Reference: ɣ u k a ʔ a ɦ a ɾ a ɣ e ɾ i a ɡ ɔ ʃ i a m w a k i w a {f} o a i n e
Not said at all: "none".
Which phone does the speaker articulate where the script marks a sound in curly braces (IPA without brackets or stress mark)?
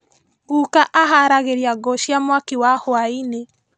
h